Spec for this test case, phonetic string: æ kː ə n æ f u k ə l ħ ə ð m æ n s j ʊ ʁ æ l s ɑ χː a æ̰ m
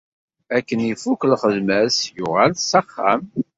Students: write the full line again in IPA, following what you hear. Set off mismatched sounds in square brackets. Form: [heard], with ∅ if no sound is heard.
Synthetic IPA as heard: æ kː ə n [i] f u k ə l [χ] ə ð m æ [∅] s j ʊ ʁ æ l s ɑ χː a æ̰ m